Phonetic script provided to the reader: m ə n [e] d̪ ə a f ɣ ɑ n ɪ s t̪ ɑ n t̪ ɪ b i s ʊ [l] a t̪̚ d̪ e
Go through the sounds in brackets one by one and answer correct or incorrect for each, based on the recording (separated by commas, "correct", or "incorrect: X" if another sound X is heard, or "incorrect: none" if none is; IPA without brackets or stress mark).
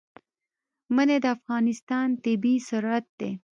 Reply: correct, incorrect: ɾ